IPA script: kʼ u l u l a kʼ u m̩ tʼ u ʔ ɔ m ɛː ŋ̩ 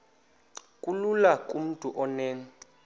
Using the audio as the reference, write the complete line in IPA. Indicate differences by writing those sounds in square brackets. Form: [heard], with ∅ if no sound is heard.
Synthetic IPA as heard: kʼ u l u l a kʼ u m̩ tʼ u ʔ ɔ [n] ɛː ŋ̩